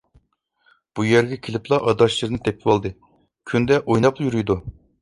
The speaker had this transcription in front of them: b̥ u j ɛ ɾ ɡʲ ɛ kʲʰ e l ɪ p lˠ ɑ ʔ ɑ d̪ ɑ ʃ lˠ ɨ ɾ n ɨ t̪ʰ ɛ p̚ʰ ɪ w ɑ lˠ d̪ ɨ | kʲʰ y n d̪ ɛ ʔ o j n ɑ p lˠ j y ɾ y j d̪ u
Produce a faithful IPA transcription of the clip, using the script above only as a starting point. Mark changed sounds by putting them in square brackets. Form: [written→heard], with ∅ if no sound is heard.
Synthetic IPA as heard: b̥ u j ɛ ɾ ɡʲ ɛ kʲʰ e l ɪ p lˠ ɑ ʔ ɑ d̪ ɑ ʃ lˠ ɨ ɾ n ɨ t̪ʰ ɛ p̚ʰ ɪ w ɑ lˠ d̪ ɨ | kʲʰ y n d̪ ɛ ʔ o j n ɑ p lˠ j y ɾ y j d̪ u